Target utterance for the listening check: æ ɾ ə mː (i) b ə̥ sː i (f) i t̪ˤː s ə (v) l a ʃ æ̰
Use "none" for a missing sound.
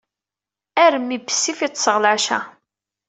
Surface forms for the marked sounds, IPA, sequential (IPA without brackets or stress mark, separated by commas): i, f, ʁ